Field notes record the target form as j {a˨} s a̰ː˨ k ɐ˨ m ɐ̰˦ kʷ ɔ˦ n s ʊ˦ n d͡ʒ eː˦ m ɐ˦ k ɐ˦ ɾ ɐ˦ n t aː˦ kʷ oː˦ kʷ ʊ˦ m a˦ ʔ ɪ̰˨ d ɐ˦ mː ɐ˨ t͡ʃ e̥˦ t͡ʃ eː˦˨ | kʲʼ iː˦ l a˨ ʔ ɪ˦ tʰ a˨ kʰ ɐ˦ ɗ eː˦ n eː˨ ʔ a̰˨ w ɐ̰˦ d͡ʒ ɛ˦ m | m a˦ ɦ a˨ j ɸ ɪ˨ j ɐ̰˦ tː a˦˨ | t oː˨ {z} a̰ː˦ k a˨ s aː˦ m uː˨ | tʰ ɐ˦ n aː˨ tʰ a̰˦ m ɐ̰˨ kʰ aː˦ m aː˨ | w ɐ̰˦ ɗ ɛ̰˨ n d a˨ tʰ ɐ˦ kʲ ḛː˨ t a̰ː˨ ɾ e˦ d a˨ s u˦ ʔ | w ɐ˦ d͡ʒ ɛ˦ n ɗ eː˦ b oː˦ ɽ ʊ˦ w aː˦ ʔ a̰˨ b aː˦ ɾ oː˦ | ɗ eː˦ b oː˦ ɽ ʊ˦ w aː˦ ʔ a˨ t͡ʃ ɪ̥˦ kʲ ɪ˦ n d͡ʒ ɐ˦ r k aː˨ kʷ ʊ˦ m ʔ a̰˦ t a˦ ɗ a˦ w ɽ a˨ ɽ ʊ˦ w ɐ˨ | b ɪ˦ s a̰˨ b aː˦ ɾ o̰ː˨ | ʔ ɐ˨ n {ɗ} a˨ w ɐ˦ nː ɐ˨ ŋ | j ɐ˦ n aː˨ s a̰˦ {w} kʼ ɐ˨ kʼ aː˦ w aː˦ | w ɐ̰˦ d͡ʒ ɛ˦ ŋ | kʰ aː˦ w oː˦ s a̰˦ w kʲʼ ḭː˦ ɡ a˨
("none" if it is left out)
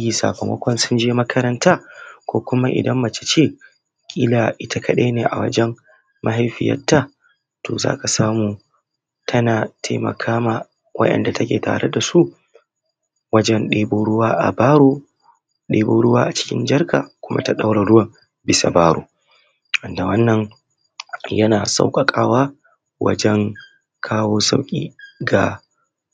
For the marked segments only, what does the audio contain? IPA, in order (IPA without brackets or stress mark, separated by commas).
i˨, z, d, w